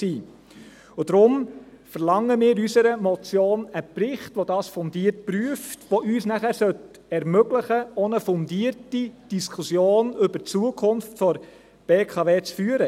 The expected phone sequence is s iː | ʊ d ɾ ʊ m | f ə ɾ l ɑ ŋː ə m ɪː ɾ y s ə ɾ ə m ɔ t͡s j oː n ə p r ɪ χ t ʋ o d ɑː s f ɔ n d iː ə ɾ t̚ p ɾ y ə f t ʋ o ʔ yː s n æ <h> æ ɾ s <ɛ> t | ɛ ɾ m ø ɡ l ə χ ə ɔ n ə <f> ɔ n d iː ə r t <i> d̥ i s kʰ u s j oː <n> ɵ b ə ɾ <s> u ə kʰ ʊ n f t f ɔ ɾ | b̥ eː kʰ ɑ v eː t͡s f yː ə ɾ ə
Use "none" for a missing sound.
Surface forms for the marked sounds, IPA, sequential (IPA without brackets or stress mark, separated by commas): χ, œ, f, i, n, t͡s